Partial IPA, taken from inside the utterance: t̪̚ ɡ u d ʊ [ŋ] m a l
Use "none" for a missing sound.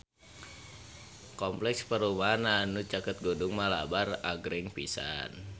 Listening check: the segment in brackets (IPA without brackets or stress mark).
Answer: ŋ